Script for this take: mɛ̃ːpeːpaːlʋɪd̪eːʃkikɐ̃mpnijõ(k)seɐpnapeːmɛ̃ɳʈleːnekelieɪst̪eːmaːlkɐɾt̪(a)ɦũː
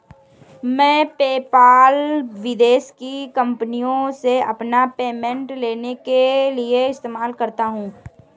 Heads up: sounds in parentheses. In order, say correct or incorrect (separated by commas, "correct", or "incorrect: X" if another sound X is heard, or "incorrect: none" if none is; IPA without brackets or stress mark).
incorrect: none, correct